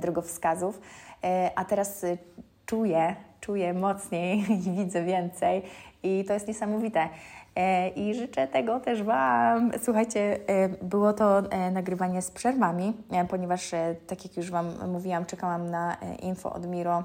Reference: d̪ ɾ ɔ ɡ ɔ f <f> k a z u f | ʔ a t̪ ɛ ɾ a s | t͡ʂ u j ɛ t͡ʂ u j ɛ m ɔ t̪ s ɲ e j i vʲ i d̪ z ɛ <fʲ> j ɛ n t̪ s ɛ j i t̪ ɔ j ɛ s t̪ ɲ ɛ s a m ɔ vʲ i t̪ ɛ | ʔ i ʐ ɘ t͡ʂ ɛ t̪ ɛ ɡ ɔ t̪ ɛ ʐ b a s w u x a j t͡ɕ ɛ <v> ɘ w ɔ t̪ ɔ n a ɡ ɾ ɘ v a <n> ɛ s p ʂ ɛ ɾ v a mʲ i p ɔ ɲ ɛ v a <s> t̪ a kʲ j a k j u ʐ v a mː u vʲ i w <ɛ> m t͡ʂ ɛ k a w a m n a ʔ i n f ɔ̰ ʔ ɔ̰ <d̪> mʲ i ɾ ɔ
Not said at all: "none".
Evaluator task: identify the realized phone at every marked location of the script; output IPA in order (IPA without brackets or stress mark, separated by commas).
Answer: s, vʲ, b, ɲ, ʂ, a, d̪